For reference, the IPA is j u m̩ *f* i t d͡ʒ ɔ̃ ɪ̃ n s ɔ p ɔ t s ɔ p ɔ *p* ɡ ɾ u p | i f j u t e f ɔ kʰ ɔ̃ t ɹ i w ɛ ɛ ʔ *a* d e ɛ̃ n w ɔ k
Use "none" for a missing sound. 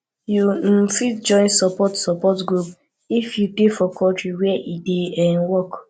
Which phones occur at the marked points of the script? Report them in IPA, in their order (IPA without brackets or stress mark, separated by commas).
f, t, i